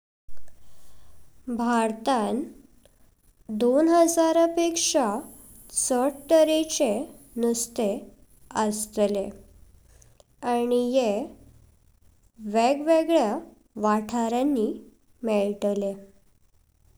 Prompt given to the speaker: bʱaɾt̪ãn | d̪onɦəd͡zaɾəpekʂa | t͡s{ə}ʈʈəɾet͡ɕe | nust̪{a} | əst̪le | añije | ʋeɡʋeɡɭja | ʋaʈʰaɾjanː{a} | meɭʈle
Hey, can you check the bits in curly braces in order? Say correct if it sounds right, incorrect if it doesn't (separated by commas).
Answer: correct, incorrect, incorrect